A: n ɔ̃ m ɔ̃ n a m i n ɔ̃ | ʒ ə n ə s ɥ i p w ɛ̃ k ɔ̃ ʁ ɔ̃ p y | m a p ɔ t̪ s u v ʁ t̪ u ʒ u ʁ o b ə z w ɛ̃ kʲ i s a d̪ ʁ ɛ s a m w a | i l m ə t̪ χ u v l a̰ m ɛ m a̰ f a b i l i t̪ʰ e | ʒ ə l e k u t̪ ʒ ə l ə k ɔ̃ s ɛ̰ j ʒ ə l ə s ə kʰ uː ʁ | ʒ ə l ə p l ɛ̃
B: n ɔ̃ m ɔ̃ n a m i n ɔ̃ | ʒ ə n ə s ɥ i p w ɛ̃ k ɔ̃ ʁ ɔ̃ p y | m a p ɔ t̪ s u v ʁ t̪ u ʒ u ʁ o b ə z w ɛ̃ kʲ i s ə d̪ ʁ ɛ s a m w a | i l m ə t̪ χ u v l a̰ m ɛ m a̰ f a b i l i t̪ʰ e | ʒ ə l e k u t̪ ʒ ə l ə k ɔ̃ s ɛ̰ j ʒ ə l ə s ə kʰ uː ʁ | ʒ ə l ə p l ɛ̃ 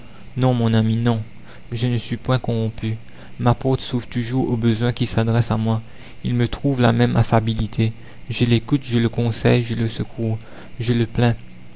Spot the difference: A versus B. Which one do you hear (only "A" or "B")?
A